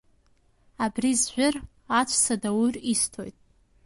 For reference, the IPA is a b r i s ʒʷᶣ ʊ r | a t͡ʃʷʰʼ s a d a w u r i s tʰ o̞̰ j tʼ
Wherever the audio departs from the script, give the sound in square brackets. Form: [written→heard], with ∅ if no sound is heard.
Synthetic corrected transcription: a b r i [s→z] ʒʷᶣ ʊ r | a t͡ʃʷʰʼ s a d a w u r i s tʰ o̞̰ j tʼ

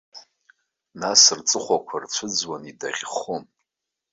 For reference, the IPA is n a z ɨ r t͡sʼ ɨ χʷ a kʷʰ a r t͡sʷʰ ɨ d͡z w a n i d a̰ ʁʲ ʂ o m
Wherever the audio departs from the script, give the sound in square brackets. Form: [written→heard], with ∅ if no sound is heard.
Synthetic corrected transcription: n a [z→s] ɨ r t͡sʼ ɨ χʷ a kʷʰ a r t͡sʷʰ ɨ d͡z w a n i d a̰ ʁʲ [ʂ→χ] o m

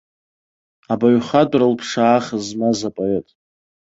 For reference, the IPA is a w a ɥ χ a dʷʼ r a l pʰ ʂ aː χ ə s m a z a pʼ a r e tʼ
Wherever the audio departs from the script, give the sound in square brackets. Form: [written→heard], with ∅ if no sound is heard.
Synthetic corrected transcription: a [w→b] a ɥ χ a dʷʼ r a l pʰ ʂ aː χ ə [s→z] m a z a pʼ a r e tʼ

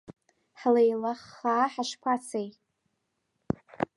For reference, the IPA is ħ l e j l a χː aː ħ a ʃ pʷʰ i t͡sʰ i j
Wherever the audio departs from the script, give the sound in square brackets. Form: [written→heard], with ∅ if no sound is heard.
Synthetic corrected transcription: ħ l e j l a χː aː ħ a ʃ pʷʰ [i→a] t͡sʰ [i→e] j

